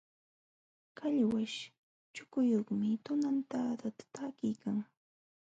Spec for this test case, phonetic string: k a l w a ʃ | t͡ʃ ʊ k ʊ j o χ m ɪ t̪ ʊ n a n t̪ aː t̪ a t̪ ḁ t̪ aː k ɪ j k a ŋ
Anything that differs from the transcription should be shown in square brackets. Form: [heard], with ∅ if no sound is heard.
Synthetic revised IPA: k a [ʎ] w a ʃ | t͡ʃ ʊ k ʊ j o χ m ɪ t̪ ʊ n a n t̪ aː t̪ a t̪ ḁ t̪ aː k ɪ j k a ŋ